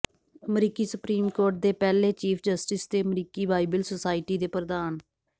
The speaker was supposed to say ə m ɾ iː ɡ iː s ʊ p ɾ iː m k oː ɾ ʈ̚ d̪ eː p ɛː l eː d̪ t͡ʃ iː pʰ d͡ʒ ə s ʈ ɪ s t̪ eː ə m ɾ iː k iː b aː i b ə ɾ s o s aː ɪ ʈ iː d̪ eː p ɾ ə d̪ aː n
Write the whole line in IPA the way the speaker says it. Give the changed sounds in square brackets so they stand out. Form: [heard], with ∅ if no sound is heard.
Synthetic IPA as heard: ə m ɾ iː [k] iː s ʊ p ɾ iː m k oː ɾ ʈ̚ d̪ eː p ɛː l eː [∅] t͡ʃ iː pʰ d͡ʒ ə s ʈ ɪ s [d̪] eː ə m ɾ iː k iː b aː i b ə [l] s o s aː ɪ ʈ iː d̪ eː p ɾ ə d̪ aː n